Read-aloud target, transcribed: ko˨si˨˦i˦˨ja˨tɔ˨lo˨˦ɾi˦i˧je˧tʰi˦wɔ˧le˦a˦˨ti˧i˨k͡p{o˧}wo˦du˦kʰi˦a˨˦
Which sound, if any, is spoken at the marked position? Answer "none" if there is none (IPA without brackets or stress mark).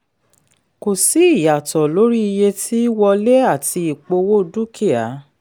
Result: o˧